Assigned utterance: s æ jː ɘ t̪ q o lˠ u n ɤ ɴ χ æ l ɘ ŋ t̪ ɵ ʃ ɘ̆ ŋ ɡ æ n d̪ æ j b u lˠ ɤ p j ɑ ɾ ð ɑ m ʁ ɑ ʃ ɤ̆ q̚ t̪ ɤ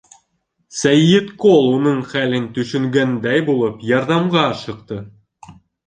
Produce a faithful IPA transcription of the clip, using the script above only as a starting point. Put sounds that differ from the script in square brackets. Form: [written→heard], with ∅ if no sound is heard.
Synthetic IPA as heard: s æ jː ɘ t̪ [q→k] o lˠ u n ɤ ɴ χ æ l ɘ [ŋ→n] t̪ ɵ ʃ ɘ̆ ŋ ɡ æ n d̪ æ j b u lˠ ɤ p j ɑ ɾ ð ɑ m ʁ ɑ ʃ ɤ̆ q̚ t̪ ɤ